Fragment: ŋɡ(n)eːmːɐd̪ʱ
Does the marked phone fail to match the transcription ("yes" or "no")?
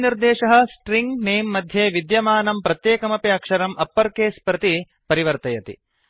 no